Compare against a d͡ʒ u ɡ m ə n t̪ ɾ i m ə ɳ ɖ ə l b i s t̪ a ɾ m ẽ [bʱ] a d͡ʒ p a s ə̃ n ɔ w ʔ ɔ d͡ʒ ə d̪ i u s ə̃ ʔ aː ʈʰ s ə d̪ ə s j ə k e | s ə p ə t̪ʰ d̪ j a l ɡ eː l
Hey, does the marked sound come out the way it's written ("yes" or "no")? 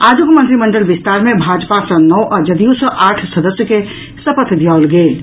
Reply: yes